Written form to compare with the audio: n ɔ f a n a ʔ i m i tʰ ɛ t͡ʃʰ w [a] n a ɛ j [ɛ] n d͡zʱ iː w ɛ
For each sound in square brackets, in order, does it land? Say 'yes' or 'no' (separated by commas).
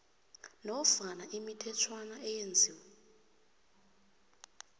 yes, no